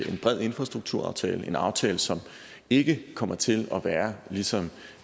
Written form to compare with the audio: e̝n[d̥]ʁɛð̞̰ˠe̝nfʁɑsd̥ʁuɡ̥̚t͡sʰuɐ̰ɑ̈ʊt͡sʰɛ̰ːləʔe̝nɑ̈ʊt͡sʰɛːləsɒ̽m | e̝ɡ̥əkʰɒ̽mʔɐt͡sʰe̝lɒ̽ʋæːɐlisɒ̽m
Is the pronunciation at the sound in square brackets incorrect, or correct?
incorrect